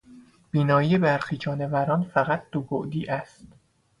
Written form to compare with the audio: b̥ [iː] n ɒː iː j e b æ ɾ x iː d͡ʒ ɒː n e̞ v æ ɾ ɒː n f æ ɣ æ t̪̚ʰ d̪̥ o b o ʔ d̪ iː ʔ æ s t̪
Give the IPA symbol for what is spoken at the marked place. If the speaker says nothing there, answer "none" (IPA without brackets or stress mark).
iː